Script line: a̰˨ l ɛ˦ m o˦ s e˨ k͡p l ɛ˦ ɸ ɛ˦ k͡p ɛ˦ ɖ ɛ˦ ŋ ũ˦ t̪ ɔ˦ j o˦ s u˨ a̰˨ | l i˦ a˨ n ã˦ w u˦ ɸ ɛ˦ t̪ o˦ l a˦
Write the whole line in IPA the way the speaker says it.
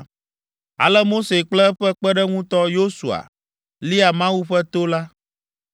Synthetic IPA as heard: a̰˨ l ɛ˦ m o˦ s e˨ k͡p l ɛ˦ ɸ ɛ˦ k͡p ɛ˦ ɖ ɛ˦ ŋ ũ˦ t̪ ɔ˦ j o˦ s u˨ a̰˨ | l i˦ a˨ m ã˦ w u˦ ɸ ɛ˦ t̪ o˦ l a˦